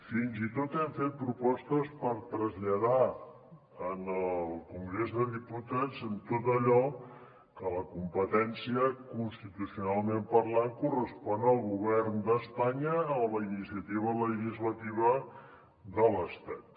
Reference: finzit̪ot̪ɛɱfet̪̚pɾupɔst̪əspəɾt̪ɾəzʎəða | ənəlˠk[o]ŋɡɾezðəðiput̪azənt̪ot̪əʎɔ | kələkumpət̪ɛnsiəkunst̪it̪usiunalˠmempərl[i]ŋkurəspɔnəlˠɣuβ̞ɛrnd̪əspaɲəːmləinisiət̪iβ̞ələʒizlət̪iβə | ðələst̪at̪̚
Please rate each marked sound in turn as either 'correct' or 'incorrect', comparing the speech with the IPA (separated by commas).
incorrect, incorrect